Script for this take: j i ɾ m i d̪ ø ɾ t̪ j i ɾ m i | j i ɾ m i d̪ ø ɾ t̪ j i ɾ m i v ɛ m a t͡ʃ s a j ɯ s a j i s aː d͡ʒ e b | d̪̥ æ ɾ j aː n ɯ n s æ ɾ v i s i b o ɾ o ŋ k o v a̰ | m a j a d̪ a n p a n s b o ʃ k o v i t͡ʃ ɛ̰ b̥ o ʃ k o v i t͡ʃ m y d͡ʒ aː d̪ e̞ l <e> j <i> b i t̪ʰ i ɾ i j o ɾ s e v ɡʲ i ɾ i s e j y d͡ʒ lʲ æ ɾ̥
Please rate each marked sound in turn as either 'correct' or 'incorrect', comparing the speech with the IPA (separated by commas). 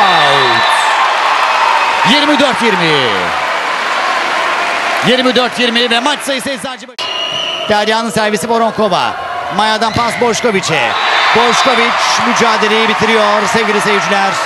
correct, correct